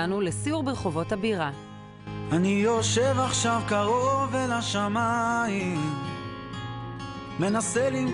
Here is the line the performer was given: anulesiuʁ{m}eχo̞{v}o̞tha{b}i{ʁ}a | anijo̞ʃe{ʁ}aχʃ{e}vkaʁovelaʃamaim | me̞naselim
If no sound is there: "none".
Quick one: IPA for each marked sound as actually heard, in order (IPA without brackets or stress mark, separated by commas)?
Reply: b, v, b, ʁ, v, a